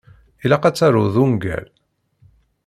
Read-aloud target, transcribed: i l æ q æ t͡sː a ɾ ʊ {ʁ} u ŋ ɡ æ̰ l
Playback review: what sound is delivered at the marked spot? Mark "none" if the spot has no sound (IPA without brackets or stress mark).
ð